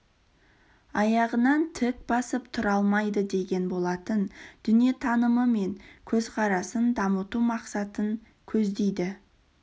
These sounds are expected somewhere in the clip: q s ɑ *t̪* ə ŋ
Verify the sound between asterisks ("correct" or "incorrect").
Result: correct